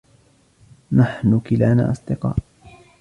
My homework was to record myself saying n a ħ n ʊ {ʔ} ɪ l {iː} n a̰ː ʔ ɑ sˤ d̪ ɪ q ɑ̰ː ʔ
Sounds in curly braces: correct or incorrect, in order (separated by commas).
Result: incorrect, incorrect